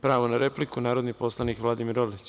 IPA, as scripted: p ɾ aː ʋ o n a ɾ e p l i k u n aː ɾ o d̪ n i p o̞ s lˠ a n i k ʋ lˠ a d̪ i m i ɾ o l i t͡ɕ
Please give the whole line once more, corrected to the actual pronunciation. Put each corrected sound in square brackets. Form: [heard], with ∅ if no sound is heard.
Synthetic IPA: p ɾ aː ʋ o n a ɾ e p l i k u n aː ɾ o d̪ n i p o̞ s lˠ a n i k ʋ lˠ a d̪ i m i ɾ o l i t͡ɕ